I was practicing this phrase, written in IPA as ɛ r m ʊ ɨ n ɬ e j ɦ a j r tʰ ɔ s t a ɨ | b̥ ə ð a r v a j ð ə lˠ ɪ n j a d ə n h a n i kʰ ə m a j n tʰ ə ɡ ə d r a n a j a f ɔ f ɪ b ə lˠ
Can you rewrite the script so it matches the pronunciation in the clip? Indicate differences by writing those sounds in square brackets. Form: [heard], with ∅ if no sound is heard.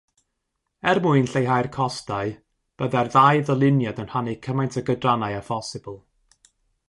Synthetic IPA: ɛ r m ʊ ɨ n ɬ e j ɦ a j r [kʰ] ɔ s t a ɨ | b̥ ə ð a r [ð] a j ð ə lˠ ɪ n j a d ə n h a n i kʰ ə m a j n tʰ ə ɡ ə d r a n a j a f ɔ [s] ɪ b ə lˠ